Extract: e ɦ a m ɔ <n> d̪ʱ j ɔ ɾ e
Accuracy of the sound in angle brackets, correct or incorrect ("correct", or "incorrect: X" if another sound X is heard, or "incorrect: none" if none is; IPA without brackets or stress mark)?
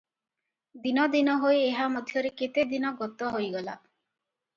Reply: incorrect: none